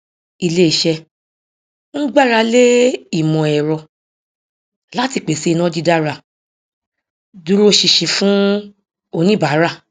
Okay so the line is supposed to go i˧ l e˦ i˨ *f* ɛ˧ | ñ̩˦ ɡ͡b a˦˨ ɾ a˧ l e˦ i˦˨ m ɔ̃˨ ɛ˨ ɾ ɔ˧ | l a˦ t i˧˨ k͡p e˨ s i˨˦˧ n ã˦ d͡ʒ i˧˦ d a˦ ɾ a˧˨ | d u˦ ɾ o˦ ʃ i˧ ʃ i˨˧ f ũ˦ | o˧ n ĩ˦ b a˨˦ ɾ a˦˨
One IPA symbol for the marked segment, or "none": ʃ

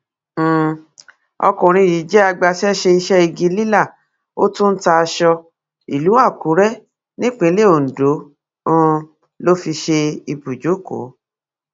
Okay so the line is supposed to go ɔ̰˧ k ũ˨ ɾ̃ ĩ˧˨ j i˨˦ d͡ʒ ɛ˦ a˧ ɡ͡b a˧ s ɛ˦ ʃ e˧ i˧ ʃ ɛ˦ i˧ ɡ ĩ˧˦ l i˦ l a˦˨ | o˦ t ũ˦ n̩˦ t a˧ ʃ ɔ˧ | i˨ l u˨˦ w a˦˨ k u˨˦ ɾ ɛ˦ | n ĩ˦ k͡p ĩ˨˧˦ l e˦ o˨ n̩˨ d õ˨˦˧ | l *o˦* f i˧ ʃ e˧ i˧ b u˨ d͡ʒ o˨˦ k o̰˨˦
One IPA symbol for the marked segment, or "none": o˦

